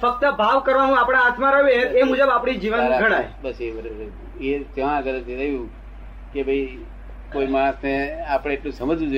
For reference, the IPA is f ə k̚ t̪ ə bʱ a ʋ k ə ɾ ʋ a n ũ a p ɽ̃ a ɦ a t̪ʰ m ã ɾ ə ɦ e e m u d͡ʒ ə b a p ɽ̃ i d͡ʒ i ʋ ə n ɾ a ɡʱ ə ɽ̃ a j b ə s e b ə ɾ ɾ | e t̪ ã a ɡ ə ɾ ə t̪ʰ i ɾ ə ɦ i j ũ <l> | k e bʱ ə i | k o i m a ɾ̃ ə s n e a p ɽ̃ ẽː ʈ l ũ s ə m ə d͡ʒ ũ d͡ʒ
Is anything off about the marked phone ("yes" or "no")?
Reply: yes